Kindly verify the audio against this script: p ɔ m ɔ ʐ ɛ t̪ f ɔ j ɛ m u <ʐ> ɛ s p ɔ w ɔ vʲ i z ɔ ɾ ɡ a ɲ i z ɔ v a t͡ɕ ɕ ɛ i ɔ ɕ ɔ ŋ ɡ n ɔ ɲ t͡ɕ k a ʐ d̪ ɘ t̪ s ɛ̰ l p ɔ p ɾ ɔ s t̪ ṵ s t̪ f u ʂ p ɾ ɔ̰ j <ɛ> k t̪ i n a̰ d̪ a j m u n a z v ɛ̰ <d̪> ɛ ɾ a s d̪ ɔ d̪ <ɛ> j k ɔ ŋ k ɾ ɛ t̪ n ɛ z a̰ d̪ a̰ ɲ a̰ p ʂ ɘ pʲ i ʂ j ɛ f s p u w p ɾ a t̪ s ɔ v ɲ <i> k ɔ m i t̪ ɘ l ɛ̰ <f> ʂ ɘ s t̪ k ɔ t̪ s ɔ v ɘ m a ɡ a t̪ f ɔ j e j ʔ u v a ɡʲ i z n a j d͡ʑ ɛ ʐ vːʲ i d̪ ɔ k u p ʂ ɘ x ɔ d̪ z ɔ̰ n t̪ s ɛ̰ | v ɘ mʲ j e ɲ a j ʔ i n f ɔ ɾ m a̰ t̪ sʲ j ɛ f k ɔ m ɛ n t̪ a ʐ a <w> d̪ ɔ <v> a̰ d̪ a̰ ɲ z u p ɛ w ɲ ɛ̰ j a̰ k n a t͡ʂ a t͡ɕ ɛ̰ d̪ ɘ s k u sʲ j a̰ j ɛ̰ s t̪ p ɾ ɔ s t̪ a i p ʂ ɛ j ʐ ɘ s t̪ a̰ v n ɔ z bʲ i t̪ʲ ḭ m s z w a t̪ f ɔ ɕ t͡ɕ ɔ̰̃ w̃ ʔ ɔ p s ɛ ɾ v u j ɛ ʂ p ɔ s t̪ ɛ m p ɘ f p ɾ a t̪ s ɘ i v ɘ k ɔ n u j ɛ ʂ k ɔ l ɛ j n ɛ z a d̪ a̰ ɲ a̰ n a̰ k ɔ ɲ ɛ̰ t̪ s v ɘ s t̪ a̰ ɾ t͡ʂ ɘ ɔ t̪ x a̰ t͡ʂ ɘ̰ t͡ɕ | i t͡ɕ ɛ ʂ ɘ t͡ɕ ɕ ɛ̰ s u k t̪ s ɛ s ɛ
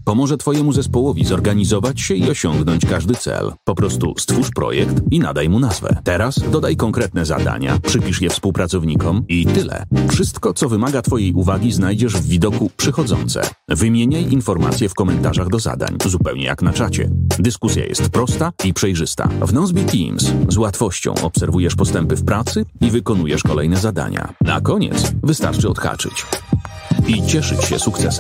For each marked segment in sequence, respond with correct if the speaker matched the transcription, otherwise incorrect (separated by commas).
incorrect, correct, incorrect, incorrect, correct, correct, incorrect, incorrect